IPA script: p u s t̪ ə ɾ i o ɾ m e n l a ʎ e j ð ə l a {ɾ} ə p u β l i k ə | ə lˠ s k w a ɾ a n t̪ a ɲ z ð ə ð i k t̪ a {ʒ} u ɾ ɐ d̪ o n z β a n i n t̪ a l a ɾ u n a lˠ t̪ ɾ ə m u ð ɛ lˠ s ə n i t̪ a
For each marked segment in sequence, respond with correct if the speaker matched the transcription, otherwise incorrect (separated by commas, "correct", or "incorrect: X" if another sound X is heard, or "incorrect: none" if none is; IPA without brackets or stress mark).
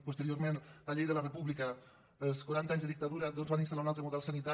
incorrect: r, incorrect: ð